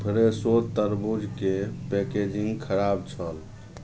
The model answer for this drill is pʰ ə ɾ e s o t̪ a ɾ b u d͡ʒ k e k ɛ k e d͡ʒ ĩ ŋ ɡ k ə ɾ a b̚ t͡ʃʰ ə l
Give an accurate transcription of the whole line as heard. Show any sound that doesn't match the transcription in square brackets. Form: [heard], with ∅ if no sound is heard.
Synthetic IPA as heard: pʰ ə ɾ e s o t̪ [ə] ɾ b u d͡ʒ k e [p] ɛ k e d͡ʒ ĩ ŋ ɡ [kʰ] ə ɾ a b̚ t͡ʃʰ ə l